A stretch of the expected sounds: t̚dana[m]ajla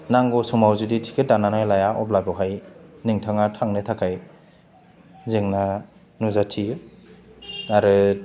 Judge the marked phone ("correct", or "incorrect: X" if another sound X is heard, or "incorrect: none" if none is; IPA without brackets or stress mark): incorrect: n